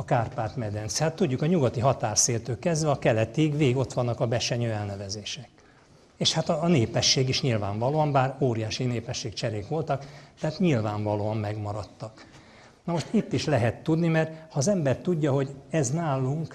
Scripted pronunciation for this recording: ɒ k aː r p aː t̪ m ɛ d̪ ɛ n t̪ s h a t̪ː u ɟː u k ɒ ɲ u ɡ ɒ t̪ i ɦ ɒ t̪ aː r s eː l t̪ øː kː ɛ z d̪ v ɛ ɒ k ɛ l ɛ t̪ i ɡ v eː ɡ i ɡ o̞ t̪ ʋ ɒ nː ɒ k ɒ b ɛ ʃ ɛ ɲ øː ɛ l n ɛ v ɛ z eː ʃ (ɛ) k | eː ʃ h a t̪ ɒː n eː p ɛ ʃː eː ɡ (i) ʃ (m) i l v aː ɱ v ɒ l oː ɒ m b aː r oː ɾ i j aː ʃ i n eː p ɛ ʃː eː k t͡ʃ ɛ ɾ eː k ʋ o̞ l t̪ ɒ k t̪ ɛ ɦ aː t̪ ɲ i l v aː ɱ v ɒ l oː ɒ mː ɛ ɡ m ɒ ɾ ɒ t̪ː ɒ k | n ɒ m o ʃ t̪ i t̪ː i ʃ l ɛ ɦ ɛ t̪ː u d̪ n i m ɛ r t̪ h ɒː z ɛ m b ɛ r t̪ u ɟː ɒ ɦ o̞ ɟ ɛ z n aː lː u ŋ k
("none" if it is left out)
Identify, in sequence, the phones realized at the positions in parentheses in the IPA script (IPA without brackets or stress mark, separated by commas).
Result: ɛ, i, ɲ